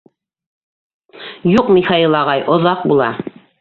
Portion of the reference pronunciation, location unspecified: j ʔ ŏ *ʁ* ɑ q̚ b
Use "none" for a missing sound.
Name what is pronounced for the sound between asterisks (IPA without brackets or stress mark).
ð